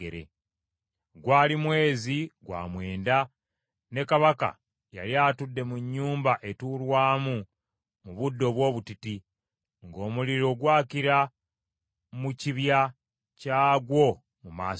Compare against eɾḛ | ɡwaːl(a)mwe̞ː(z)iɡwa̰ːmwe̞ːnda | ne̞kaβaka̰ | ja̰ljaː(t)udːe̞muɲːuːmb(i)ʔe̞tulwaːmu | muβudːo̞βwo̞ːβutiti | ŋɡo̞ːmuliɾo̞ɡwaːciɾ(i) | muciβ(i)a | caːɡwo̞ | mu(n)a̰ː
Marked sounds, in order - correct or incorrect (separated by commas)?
incorrect, correct, correct, incorrect, incorrect, incorrect, incorrect